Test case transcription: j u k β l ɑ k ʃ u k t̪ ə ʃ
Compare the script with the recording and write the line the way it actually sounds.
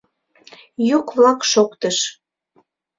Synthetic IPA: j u k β l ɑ k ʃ o k t̪ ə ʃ